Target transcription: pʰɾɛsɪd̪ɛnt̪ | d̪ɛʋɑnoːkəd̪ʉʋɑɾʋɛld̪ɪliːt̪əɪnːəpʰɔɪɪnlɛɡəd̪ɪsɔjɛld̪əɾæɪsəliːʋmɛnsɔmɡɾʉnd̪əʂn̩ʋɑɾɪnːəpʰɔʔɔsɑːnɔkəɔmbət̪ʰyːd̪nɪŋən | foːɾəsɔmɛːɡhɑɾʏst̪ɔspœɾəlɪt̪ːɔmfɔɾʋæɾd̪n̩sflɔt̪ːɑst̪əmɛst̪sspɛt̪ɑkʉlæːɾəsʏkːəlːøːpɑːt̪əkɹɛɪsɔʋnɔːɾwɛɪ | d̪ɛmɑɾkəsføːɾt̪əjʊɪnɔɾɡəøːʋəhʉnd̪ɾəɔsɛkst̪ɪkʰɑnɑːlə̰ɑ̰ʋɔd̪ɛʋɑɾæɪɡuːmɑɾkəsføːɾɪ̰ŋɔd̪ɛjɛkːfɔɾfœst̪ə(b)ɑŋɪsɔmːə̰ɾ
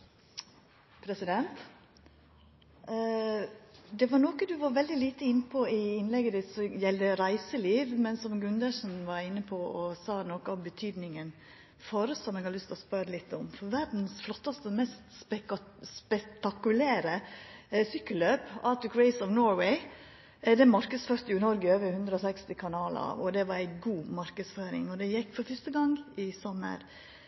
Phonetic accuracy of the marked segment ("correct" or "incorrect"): incorrect